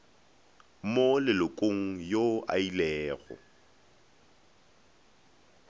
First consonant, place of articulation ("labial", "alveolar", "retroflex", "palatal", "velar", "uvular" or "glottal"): labial